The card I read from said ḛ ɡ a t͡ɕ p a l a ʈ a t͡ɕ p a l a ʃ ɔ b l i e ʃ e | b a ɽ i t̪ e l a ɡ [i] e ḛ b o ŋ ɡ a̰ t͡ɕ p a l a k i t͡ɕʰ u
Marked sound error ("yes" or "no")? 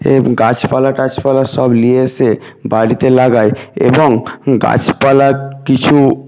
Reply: yes